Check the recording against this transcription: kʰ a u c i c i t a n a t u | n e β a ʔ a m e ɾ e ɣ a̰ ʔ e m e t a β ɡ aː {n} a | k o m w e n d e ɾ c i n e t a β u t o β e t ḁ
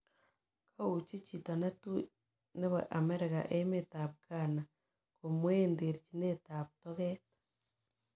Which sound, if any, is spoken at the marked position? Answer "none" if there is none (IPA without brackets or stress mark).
n